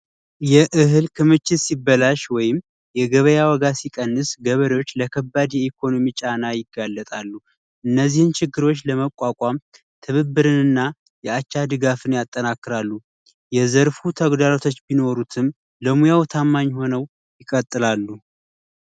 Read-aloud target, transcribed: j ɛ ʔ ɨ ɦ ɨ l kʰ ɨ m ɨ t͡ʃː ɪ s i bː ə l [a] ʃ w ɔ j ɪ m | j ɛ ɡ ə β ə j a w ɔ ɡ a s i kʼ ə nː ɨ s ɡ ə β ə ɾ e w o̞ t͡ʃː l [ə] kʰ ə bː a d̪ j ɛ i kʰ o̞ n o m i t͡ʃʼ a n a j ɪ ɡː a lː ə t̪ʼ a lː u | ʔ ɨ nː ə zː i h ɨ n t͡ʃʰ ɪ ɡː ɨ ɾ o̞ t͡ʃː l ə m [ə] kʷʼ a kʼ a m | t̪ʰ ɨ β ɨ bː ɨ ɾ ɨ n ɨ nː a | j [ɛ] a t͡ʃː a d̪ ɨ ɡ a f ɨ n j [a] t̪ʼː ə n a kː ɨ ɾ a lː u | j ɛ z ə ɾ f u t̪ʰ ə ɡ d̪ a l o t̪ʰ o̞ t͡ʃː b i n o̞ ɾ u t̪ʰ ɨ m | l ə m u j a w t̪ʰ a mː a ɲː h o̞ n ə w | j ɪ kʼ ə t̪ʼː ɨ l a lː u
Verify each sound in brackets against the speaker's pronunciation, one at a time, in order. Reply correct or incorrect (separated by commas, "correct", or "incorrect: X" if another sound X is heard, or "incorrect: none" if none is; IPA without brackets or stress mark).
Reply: correct, correct, correct, correct, correct